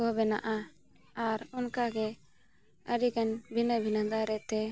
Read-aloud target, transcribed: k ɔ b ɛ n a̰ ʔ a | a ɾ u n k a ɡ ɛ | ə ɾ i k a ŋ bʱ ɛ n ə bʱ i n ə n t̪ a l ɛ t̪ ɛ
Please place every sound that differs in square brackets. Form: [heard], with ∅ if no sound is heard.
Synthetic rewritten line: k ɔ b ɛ n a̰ ʔ a | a ɾ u n k a ɡ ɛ | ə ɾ i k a [n] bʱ [i] n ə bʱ i n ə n [d̪] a [ɾ] ɛ t̪ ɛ